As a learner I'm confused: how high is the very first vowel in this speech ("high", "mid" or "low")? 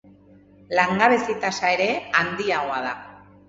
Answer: low